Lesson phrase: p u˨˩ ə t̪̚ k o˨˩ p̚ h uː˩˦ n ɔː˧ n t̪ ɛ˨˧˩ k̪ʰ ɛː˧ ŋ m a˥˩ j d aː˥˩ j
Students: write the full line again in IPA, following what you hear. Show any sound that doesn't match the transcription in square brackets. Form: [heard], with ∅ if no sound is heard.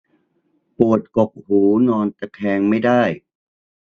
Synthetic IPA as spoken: p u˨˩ ə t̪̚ k o˨˩ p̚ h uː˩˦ n ɔː˧ n t̪ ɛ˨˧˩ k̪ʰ ɛː˧ ŋ m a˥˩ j d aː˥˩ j